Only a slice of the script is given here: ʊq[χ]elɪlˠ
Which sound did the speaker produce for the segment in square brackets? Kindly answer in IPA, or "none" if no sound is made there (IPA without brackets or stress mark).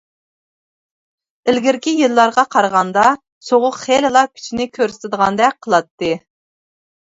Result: χ